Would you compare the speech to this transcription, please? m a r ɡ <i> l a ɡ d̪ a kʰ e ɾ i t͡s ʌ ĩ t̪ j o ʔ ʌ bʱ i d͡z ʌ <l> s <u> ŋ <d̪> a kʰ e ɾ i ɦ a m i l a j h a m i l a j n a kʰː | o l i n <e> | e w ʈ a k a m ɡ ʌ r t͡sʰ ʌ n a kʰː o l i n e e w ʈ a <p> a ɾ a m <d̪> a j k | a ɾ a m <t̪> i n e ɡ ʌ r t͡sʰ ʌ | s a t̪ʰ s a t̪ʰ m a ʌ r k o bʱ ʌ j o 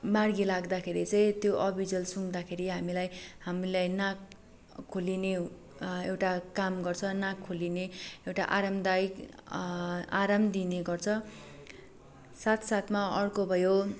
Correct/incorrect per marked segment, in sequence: correct, correct, correct, correct, correct, incorrect: ʔ, correct, incorrect: d̪

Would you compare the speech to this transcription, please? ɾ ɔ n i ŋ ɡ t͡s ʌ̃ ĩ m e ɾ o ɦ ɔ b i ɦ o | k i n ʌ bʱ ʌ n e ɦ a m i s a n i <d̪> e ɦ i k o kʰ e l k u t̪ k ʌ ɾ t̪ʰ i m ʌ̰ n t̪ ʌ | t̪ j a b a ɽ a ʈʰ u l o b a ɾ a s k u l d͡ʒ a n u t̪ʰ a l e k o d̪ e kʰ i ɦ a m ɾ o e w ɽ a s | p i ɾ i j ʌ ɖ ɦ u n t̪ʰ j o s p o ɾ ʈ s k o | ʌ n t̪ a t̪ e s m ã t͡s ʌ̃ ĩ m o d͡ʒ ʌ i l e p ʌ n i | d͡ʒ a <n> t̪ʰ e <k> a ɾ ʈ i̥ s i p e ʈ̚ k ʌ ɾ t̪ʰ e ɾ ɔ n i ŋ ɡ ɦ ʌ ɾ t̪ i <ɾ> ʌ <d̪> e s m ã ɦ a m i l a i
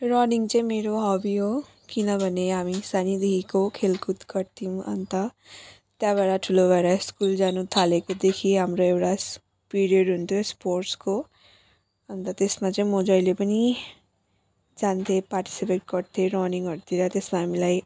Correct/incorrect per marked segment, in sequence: correct, correct, incorrect: p, correct, incorrect: t̪

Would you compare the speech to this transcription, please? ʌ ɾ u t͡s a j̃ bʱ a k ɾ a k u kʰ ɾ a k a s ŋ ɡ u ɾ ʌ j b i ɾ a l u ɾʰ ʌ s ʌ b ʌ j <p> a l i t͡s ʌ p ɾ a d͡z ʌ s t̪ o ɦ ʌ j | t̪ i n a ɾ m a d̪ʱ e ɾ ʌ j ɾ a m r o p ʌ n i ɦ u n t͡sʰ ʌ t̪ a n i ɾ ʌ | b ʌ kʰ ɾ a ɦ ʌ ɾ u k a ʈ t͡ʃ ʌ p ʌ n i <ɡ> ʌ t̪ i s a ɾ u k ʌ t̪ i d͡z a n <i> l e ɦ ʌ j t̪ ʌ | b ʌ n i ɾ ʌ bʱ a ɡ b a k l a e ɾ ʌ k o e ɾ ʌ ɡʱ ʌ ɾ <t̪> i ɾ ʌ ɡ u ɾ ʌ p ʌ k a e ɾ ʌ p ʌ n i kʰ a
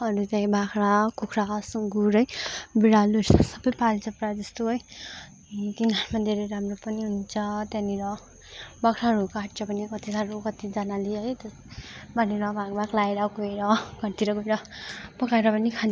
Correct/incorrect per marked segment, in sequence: correct, incorrect: k, incorrect: a, correct

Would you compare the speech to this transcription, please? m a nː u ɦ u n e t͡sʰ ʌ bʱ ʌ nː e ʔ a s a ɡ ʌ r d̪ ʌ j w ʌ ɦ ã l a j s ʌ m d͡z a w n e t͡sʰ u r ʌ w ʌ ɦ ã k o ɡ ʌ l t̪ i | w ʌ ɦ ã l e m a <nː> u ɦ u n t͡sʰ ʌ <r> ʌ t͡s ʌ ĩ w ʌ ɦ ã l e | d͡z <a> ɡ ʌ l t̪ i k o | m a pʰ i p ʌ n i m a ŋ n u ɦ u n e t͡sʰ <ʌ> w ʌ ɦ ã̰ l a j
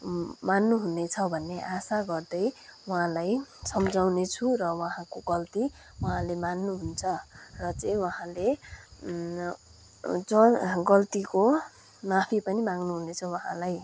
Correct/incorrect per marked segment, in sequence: correct, correct, incorrect: ʌ, correct

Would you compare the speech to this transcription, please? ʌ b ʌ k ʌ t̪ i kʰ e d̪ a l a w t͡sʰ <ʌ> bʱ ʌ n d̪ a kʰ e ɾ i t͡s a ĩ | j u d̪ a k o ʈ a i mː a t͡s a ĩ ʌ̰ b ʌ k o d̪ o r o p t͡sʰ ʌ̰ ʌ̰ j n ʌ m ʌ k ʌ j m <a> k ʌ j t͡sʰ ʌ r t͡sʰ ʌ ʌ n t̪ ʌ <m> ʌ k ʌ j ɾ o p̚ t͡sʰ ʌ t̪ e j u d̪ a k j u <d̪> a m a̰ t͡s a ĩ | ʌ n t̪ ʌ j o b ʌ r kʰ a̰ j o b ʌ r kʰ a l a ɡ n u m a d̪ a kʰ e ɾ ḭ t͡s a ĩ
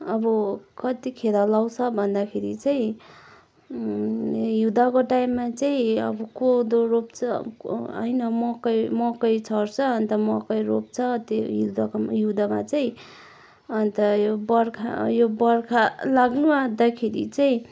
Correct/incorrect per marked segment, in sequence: correct, incorrect: ʌ, correct, correct

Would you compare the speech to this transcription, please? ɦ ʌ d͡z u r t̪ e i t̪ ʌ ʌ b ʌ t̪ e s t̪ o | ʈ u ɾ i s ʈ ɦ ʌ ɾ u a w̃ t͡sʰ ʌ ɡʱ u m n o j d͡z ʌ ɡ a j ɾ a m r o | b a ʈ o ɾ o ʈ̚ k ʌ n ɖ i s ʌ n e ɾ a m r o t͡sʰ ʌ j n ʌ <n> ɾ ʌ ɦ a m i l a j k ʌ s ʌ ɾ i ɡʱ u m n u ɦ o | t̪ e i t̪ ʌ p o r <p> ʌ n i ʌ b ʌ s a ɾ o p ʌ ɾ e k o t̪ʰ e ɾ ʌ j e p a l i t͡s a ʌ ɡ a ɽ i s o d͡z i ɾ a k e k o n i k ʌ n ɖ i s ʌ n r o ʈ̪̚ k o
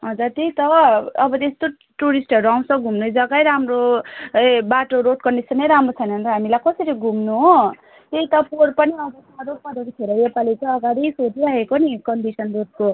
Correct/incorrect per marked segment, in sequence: correct, correct

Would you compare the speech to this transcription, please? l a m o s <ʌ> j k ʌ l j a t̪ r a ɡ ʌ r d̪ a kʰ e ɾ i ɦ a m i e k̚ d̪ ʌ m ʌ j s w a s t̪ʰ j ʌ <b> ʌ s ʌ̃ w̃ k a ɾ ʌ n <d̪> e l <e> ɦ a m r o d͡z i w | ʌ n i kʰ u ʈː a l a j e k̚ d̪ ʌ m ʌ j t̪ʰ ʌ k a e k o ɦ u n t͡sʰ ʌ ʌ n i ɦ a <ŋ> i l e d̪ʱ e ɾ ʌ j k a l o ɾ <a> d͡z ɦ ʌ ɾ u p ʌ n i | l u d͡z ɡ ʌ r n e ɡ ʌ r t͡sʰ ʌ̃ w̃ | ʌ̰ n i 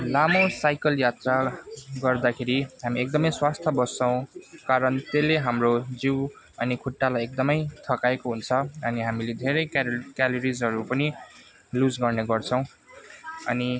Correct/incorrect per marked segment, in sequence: incorrect: a, correct, incorrect: t̪, correct, incorrect: m, incorrect: i

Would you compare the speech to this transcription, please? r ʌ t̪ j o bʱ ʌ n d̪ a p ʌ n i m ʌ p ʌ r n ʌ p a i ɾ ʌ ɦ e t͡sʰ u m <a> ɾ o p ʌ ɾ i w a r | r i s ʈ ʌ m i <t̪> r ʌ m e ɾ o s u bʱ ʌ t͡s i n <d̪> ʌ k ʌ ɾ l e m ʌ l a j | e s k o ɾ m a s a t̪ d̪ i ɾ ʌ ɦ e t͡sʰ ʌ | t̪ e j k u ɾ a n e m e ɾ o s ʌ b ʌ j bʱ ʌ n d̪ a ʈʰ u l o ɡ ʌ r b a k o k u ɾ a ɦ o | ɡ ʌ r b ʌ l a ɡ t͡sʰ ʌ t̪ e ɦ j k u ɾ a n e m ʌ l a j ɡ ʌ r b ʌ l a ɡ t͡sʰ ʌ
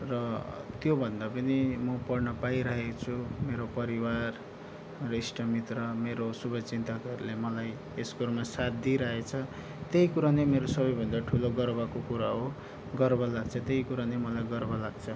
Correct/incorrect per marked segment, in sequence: incorrect: e, correct, incorrect: t̪

